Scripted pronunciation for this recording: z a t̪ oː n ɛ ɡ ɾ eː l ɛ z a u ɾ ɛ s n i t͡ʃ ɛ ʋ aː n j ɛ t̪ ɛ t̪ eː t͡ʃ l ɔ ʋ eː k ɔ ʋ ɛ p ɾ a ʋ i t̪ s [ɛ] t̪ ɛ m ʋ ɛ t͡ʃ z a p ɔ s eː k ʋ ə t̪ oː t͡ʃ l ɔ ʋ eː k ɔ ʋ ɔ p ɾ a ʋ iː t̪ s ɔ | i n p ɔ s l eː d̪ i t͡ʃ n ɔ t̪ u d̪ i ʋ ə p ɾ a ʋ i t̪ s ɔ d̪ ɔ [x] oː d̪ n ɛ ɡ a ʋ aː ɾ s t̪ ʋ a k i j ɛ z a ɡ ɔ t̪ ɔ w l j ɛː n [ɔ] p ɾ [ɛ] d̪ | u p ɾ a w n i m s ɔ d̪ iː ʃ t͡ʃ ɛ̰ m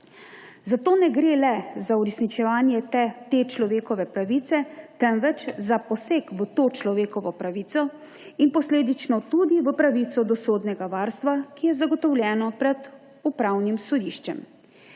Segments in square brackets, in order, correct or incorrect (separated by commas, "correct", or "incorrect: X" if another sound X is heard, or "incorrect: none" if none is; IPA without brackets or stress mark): correct, incorrect: s, correct, correct